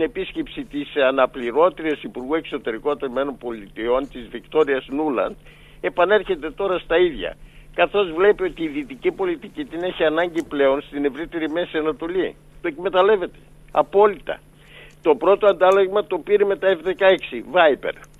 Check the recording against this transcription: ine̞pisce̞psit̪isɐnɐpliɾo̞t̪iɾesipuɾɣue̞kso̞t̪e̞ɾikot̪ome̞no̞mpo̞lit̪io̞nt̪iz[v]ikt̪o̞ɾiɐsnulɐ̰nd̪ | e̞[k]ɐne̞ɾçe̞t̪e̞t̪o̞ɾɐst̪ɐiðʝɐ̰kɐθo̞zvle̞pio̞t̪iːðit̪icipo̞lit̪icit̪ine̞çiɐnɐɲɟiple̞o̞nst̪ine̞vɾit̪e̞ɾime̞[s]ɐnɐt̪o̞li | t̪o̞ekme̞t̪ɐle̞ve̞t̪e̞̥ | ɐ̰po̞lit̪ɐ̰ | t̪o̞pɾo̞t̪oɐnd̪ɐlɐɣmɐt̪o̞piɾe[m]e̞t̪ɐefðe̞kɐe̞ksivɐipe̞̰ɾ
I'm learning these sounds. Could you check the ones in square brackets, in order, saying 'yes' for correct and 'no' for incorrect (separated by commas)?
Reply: yes, no, yes, yes